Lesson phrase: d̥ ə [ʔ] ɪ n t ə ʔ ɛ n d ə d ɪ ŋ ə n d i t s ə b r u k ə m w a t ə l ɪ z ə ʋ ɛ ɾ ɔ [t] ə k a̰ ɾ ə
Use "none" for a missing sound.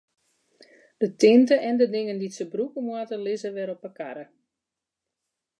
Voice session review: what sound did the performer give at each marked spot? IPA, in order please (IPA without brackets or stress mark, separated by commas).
t, p